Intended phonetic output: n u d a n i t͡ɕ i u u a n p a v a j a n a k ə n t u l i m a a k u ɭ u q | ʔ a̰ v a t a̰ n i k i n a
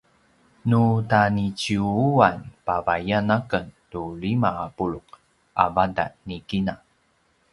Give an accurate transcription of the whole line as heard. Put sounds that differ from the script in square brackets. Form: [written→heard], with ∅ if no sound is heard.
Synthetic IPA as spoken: n u [d→t] a n i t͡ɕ i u u a n p a v a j a n a k ə n t u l i m a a [k→p] u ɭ u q | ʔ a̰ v a [t→d] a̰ n i k i n a

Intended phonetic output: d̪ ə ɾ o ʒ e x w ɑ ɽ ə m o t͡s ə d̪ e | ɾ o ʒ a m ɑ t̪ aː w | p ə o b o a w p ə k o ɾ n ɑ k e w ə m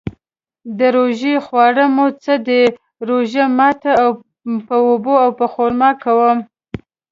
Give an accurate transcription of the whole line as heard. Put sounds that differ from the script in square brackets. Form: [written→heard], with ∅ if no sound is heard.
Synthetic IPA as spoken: d̪ ə ɾ o ʒ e x w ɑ ɽ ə m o t͡s ə d̪ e | ɾ o ʒ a m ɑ t̪ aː w | p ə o b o a w p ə [k→x] o ɾ [n→m] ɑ k [e→a] w ə m

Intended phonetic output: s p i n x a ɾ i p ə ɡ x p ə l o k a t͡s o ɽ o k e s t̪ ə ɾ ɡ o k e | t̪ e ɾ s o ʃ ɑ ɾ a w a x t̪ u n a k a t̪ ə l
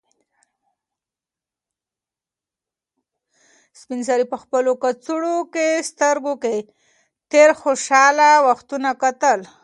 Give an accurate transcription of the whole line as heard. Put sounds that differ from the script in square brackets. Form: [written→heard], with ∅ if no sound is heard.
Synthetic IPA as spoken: s p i n [x→s] a ɾ i p ə [ɡ→∅] x p ə l o k a t͡s [o→u] ɽ o k e s t̪ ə ɾ ɡ o k e | t̪ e ɾ [s→x] o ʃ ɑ [ɾ→l] a w a x t̪ u n a k a t̪ ə l

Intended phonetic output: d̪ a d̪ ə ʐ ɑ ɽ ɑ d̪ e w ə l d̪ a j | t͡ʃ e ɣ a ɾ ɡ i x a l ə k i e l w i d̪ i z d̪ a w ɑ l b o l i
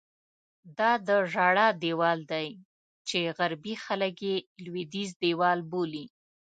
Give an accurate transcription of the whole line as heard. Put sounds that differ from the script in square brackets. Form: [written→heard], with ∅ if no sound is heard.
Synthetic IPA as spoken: d̪ [a→ɑ] d̪ ə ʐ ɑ ɽ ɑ d̪ e w [ə→ɑ] l d̪ a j | t͡ʃ e ɣ a ɾ [ɡ→b] i x a l ə k [i→j] e l w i d̪ i z d̪ [a→e] w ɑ l b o l i

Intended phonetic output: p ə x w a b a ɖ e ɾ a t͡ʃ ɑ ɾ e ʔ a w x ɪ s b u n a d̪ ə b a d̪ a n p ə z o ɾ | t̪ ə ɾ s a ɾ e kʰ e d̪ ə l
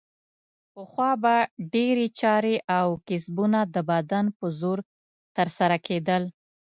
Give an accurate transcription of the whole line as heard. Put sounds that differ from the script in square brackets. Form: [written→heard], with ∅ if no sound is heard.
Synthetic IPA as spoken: p ə x w [a→ɑ] b a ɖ e ɾ [a→e] t͡ʃ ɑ ɾ e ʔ a w [x→k] ɪ s b u n a d̪ ə b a d̪ a n p ə z o ɾ | t̪ ə ɾ s a ɾ [e→a] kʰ e d̪ ə l

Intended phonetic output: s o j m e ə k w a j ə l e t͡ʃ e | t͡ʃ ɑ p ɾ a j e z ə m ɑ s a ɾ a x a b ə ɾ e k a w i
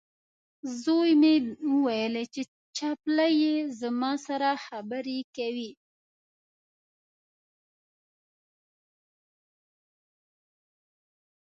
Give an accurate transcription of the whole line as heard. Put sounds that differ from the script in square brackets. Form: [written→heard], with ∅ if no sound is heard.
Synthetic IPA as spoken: [s→z] o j m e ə [k→∅] w a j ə l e t͡ʃ e | t͡ʃ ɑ p [ɾ→l] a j e z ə m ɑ s a ɾ a x a b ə ɾ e k a w i

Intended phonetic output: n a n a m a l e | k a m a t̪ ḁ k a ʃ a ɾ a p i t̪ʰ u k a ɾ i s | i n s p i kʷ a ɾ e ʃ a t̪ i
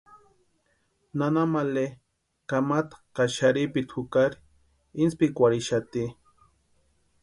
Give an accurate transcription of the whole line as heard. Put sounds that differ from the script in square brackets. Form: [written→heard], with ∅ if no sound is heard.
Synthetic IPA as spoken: n a n a m a l e | k a m a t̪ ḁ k a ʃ a ɾ [a→i] p i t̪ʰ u k a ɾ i [s→∅] | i n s p i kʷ a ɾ [e→i] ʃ a t̪ i

